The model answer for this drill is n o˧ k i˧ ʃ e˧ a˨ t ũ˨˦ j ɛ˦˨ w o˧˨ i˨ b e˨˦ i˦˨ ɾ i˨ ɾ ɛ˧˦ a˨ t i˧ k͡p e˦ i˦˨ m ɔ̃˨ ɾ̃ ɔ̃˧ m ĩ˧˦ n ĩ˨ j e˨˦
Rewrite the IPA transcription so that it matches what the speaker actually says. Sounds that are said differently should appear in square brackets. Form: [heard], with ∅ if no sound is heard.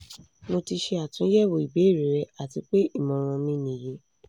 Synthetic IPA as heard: n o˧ [t] i˧ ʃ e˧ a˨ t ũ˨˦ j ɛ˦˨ w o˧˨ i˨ b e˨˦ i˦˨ ɾ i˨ ɾ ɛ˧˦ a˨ t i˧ k͡p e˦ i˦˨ m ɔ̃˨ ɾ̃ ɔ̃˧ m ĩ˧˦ n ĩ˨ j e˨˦

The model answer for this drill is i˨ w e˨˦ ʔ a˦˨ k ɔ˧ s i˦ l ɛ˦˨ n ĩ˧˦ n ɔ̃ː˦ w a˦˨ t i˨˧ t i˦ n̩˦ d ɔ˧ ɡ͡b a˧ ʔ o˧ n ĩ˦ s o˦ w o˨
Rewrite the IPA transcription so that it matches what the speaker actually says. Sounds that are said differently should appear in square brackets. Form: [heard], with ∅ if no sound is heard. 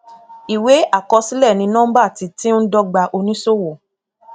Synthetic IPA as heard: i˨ w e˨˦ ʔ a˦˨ k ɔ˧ s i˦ l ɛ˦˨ n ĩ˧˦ n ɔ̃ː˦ [b] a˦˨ t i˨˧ t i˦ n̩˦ d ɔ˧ ɡ͡b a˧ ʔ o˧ n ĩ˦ s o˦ w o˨

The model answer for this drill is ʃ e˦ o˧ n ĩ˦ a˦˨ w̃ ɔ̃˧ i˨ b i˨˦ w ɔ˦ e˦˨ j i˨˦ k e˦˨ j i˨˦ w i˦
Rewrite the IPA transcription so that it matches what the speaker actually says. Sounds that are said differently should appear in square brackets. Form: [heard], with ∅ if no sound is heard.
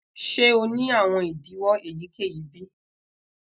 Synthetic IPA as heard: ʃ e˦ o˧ n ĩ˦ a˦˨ w̃ ɔ̃˧ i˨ [d] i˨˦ w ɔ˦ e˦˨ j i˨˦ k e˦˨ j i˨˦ [b] i˦

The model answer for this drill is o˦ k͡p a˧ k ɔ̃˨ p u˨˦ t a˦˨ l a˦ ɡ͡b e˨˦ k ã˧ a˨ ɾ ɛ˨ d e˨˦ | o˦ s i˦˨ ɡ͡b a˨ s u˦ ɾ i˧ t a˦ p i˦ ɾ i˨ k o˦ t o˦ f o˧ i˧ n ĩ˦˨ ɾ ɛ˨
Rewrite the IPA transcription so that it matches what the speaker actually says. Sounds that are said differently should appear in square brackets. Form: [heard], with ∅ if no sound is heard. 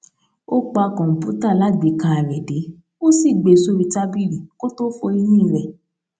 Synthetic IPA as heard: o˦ k͡p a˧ k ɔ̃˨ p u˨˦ t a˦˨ l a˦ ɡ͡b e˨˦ k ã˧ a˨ ɾ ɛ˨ d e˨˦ | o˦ s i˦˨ ɡ͡b [e˨] s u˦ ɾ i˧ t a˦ [b] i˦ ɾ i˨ k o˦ t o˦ f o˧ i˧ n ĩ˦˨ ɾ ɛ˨

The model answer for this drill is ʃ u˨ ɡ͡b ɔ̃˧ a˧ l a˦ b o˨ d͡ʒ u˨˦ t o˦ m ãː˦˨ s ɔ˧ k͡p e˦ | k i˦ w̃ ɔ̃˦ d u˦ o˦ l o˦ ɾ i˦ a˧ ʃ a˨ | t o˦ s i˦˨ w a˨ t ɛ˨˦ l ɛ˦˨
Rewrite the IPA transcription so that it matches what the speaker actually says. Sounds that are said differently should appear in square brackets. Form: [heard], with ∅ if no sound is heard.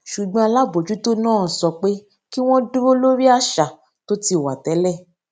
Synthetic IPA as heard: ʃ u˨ ɡ͡b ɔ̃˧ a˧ l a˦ b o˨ d͡ʒ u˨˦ t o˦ [n] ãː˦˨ s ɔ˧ k͡p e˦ | k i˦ w̃ ɔ̃˦ d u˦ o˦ l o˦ ɾ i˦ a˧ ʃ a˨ | t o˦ [t] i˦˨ w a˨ t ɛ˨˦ l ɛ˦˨

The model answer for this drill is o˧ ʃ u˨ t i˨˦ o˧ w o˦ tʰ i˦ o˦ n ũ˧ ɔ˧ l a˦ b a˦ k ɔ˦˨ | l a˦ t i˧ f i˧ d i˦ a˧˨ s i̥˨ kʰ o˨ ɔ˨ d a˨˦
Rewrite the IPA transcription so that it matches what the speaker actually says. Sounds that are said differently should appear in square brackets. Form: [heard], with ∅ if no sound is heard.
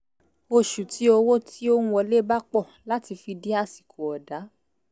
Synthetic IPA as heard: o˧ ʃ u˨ t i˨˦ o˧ w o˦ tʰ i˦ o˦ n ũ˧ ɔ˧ l [e˦] b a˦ [k͡p] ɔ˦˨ | l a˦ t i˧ f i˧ d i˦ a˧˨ s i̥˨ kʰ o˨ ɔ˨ d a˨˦

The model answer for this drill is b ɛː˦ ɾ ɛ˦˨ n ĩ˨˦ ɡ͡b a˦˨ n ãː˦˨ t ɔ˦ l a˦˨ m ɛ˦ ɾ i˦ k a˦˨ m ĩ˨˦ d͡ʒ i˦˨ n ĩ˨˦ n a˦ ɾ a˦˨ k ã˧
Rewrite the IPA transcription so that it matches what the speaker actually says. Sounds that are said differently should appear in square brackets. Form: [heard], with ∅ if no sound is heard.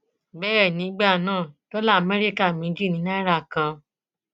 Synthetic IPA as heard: b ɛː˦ ɾ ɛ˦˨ n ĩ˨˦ ɡ͡b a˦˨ n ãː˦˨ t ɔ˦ l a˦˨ m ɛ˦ ɾ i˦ k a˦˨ m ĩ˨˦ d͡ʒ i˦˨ n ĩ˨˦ n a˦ ɾ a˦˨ k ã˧

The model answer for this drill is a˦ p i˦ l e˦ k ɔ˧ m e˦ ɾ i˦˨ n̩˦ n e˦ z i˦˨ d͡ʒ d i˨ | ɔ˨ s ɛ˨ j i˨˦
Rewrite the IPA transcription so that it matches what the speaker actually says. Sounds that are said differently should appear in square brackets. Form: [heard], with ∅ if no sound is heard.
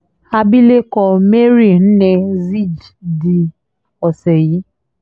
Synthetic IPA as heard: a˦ [b] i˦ l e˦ k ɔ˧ m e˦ ɾ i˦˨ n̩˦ n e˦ z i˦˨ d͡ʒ d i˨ | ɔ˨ s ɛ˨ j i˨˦

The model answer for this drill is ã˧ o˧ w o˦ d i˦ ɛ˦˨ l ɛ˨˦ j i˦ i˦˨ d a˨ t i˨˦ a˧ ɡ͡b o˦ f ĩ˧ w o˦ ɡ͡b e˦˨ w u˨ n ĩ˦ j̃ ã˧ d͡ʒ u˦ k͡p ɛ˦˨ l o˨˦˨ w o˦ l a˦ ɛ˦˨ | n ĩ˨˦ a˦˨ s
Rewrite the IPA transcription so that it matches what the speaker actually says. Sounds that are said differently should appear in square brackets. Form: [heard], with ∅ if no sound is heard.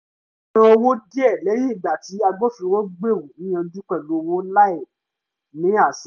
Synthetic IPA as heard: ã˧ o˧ w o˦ d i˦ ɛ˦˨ l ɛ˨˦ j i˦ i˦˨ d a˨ t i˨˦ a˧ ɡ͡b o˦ f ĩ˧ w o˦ ɡ͡b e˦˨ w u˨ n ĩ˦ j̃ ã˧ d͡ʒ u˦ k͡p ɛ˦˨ l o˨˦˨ w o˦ l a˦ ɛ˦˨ | n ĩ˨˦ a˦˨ s

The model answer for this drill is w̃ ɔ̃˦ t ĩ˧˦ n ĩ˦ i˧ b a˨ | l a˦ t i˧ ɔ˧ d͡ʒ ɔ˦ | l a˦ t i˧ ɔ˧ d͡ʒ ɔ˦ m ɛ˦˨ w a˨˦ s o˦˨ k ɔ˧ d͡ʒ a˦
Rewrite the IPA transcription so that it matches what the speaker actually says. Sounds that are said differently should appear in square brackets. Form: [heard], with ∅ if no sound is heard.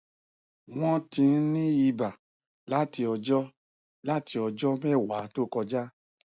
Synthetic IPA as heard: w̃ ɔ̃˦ t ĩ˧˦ n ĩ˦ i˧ b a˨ | l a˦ t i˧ ɔ˧ d͡ʒ ɔ˦ | l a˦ t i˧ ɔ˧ d͡ʒ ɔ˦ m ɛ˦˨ w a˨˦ [t] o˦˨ k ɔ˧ d͡ʒ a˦

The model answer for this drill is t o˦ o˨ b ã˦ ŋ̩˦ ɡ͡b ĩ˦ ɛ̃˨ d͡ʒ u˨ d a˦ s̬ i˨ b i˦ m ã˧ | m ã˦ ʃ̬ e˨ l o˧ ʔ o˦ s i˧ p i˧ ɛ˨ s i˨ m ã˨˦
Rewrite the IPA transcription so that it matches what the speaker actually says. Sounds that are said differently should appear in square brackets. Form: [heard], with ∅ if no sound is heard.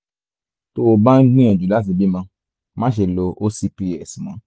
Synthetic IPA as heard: t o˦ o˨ b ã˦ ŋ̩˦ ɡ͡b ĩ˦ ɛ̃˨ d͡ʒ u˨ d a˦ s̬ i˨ b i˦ m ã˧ | m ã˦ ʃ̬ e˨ l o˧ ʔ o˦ s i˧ p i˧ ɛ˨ s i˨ m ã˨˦

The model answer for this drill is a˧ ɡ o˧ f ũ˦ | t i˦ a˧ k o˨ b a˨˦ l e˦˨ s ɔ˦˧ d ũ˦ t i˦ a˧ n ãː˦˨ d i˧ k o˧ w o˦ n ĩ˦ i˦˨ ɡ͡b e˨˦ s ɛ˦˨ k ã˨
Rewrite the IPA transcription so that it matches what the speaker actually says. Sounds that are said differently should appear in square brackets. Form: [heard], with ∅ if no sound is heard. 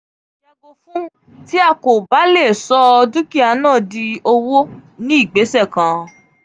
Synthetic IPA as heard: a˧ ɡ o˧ f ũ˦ | t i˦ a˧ k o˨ b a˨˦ l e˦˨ s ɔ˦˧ d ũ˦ [k] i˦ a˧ n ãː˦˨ d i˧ [∅] o˧ w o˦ n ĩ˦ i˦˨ ɡ͡b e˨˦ s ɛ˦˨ k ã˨

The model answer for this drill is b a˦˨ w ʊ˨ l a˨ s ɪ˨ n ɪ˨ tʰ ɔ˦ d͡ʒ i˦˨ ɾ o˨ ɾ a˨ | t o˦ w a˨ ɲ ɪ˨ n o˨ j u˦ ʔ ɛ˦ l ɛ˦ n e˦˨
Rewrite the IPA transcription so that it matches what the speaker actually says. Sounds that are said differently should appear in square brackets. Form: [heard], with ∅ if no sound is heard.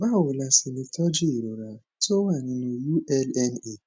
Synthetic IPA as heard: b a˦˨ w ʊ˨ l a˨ s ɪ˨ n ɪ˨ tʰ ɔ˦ d͡ʒ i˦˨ ɾ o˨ ɾ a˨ | t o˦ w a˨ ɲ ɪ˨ n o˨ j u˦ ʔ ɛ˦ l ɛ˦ n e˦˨

